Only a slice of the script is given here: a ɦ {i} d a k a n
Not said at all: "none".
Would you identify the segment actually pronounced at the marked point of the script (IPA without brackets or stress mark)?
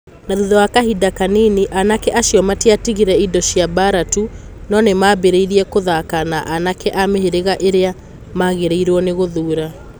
i